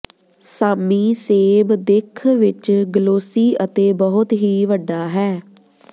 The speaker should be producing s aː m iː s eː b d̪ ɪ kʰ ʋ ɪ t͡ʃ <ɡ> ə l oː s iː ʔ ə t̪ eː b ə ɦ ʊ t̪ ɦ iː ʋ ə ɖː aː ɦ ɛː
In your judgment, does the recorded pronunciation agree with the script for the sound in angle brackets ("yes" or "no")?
yes